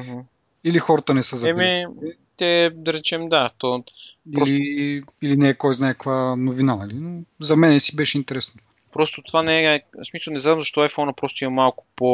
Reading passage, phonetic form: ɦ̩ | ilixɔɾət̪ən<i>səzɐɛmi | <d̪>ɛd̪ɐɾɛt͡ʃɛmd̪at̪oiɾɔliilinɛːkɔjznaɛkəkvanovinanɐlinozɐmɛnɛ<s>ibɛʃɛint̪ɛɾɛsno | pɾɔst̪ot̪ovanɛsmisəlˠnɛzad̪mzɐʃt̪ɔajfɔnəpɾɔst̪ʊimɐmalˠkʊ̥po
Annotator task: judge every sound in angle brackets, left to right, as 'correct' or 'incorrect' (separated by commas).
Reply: incorrect, incorrect, correct